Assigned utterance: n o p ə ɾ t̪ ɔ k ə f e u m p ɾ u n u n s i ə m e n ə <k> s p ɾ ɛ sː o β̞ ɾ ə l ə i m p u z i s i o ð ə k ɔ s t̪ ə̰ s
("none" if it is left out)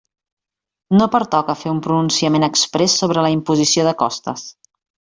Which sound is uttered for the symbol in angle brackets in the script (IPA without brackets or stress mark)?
k